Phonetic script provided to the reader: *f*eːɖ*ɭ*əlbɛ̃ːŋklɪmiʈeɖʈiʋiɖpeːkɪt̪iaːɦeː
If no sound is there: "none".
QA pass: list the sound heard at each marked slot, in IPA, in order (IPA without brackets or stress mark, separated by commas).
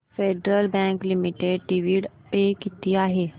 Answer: f, ɾ